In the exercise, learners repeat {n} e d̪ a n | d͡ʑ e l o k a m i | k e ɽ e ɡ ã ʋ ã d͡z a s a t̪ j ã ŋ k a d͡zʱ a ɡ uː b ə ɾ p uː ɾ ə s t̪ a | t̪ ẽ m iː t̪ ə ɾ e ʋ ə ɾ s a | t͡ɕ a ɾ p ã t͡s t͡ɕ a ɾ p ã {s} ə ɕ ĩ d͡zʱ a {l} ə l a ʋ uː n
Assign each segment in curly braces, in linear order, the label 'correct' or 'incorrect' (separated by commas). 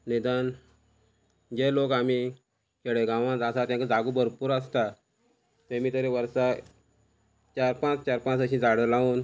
correct, incorrect, incorrect